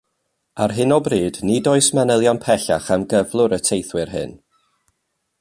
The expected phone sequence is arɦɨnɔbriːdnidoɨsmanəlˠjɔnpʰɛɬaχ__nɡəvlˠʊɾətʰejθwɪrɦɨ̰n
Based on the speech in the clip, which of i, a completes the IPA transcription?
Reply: a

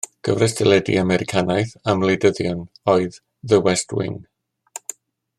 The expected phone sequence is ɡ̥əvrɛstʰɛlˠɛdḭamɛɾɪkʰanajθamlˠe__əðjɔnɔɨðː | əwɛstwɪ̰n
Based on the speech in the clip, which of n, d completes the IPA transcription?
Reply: d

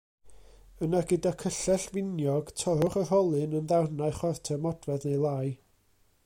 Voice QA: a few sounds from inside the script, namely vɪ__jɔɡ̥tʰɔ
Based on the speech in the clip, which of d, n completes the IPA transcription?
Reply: n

